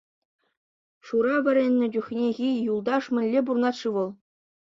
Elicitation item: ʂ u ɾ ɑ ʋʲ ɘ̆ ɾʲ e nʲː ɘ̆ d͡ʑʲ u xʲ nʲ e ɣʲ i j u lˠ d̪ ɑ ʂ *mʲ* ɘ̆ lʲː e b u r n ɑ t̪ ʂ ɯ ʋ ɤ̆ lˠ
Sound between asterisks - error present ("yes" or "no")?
no